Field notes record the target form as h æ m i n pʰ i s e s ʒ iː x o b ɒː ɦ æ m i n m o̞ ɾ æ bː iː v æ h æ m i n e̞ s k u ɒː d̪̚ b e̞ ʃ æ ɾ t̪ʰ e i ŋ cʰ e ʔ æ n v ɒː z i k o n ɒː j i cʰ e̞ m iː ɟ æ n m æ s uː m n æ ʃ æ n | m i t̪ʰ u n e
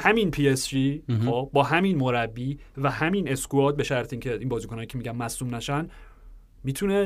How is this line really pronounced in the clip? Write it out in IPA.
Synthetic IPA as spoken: h æ m i n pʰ i e s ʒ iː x o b ɒː ɦ æ m i n m o̞ ɾ æ bː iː v æ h æ m i n e̞ s k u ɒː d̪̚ b e̞ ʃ æ ɾ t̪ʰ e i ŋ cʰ e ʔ i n b ɒː z i k o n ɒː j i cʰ e̞ m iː ɟ æ n m æ s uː m n æ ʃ æ n | m i t̪ʰ u n e